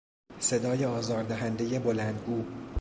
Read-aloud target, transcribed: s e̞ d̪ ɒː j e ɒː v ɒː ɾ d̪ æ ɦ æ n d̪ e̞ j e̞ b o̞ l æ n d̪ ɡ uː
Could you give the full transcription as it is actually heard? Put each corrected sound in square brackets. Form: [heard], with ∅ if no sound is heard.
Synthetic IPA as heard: s e̞ d̪ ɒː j e ɒː [z] ɒː ɾ d̪ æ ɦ æ n d̪ e̞ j e̞ b o̞ l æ n d̪ ɡ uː